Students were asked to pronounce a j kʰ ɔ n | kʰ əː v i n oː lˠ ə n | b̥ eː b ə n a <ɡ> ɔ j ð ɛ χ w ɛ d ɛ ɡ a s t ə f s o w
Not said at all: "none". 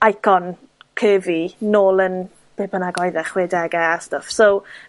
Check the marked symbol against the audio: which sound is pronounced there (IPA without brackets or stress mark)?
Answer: ɡ